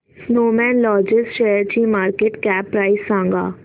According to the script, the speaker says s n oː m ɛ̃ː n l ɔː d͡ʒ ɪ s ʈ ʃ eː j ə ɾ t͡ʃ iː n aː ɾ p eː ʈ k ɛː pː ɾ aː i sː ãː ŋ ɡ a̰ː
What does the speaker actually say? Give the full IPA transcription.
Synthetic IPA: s n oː m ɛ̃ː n l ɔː d͡ʒ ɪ s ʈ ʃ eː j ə ɾ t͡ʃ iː m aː ɾ k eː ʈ k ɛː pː ɾ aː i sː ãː ŋ ɡ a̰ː